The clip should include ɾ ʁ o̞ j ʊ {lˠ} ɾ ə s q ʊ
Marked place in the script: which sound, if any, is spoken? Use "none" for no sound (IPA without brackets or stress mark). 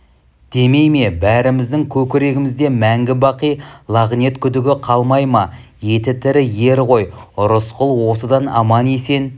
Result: none